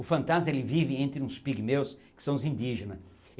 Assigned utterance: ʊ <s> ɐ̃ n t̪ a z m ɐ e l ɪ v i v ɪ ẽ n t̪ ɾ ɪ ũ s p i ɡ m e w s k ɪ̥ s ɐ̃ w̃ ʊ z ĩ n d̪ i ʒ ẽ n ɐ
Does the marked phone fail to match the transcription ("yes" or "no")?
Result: yes